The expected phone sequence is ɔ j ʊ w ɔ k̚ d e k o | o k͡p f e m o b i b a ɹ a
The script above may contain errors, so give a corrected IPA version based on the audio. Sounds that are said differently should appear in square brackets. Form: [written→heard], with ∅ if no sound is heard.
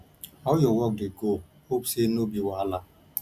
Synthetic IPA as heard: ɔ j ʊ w ɔ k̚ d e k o | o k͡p [f→s] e [m→n] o b i [b→w] a [ɹ→l] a

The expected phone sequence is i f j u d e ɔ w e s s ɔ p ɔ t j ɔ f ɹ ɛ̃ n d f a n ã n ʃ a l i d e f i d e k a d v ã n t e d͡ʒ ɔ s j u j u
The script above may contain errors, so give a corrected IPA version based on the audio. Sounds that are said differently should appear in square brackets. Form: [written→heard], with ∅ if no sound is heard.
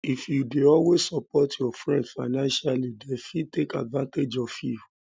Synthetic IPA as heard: i f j u d e ɔ w e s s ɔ p ɔ t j ɔ f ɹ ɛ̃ n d f a n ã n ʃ a l i d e f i [d→t] e k a d v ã n t e d͡ʒ ɔ [s→f] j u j u

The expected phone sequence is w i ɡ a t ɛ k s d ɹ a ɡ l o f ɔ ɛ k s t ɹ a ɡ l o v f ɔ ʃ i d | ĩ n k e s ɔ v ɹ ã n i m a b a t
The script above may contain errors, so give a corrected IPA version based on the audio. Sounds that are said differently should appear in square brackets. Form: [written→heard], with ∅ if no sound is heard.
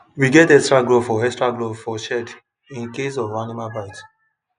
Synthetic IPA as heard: w i ɡ [a→ɛ] t ɛ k s [d→t] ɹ a ɡ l o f ɔ ɛ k s t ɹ a ɡ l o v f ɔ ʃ [i→ɛ] d | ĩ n k e s ɔ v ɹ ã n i m a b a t

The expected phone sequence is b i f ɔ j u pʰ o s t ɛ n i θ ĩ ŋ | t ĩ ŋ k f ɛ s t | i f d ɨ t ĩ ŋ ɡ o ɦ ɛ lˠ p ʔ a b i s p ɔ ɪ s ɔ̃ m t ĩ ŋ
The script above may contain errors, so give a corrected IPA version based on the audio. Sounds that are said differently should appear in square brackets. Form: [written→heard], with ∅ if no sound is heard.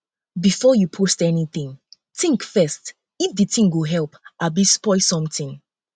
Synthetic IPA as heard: b i f ɔ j u pʰ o s t ɛ n i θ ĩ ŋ | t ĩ ŋ k f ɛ s t | i f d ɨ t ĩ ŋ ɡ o ɦ ɛ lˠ p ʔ a b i s p ɔ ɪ s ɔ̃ m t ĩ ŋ

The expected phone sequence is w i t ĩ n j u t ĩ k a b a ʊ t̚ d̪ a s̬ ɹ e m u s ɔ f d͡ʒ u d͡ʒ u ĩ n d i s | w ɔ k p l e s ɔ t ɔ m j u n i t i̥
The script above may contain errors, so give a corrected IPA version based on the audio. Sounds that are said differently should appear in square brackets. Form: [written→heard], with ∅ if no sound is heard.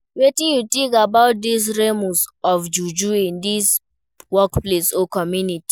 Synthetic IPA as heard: w [i→e] t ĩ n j u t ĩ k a b a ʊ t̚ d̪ [a→i] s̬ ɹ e m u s ɔ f d͡ʒ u d͡ʒ u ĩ n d i s | w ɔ k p l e s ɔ [t→k] ɔ m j u n i t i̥

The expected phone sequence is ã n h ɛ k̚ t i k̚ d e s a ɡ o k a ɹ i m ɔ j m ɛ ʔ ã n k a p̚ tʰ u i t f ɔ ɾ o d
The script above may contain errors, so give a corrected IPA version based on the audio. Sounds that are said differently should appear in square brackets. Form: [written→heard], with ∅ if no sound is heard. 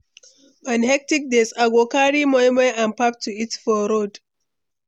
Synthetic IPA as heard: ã n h ɛ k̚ t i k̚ d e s a ɡ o k a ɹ i m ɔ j m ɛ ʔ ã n [k→p] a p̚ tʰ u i t f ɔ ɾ o d

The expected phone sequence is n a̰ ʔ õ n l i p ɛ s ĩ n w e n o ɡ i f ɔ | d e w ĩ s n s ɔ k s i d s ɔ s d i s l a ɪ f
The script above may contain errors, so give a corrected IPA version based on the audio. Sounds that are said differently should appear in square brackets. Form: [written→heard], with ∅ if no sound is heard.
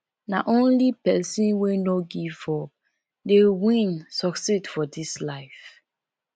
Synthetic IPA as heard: n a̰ ʔ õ n l i p ɛ s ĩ n w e n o ɡ i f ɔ | d e w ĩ [s→∅] n s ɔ k s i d [s→f] ɔ [s→∅] d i s l a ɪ f

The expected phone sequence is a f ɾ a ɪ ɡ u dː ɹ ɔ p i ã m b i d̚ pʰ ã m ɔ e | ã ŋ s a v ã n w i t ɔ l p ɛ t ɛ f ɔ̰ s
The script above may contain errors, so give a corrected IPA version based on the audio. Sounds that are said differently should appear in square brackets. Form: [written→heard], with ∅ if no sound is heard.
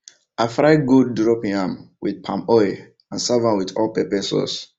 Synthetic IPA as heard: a f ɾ a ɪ ɡ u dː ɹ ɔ p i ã m [b→w] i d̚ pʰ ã m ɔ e | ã [ŋ→n] s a v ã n w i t ɔ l p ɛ [t→p] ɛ [f→s] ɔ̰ s

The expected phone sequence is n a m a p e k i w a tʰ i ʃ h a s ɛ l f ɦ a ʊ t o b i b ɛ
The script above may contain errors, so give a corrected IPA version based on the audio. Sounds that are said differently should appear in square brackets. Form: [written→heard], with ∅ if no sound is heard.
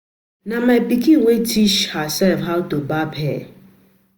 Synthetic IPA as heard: n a m a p [e→i] k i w [a→e] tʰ i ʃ h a s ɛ l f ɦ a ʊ t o b [i→a] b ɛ

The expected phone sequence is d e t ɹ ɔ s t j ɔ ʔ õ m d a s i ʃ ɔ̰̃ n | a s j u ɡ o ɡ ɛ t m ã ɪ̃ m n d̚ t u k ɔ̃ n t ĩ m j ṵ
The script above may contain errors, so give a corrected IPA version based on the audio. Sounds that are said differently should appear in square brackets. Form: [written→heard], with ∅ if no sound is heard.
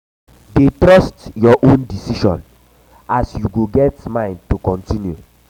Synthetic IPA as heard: d e t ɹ ɔ s t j ɔ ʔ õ [m→n] d [a→i] s i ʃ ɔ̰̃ n | a s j u ɡ o ɡ ɛ t m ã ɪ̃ [m→∅] n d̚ t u k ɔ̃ n t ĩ [m→n] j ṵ

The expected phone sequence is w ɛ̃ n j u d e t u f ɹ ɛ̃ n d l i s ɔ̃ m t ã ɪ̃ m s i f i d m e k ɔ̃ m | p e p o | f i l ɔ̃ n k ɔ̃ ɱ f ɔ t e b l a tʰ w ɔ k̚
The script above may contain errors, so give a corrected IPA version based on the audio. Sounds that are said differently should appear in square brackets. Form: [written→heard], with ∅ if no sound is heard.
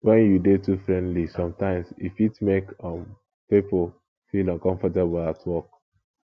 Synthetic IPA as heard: w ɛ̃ n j u d e t u f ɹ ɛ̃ n d l i s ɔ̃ m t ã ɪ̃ m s i f i [d→t] m e k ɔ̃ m | p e p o | f i l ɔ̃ n k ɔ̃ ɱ f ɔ t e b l a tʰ w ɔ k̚

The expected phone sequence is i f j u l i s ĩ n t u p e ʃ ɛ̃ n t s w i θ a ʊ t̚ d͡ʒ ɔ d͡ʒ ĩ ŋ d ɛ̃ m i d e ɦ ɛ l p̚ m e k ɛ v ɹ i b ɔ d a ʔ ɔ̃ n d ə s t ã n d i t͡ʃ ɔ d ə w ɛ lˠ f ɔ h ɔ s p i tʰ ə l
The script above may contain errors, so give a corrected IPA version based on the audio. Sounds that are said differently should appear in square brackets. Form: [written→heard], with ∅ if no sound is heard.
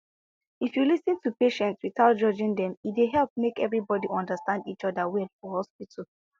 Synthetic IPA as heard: i f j u l i s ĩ n t u p e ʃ ɛ̃ n t s w i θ a ʊ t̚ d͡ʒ ɔ d͡ʒ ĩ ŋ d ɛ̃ m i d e ɦ ɛ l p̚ m e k ɛ v ɹ i b ɔ d [a→i] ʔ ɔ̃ n d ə s t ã n d i t͡ʃ ɔ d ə w ɛ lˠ f ɔ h ɔ s p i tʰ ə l

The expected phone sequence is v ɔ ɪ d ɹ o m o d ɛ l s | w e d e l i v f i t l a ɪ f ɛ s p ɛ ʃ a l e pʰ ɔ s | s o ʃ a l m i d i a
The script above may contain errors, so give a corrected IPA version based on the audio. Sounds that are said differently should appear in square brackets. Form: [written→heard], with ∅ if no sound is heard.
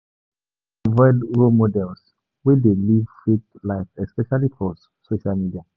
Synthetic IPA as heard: v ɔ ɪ d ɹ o m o d ɛ l s | w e d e l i v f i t l a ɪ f ɛ s p ɛ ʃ a l [e→i] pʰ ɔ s | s o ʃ a l m i d i a

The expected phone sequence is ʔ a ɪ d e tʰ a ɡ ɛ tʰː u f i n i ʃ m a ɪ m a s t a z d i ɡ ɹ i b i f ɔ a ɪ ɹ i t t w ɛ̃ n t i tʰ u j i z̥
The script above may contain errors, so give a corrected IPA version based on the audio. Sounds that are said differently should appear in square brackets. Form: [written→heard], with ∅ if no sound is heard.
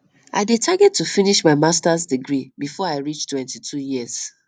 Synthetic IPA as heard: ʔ a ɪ d e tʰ a ɡ ɛ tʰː u f i n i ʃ m a ɪ m a s t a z d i ɡ ɹ i b i f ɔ a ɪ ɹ i [t→t͡ʃ] t w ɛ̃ n t i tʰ u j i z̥

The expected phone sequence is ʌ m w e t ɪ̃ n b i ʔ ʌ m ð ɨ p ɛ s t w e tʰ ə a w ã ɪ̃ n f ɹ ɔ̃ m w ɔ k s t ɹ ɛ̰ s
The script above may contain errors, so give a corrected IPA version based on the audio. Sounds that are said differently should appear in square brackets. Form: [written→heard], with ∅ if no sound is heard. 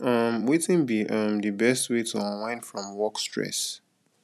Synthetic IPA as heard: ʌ m w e t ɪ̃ n b i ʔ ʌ m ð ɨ [p→b] ɛ s t w e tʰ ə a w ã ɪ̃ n f ɹ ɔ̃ m w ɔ k s t ɹ ɛ̰ s

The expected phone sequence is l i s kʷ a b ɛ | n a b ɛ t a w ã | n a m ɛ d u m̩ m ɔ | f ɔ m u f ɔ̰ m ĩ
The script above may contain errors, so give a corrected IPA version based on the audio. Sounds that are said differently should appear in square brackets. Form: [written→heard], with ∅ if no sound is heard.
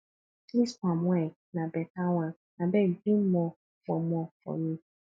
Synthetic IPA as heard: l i s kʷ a [b→m] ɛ | n a b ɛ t a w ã | n a [m→b] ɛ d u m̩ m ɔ | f ɔ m [u→ɔ] f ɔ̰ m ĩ

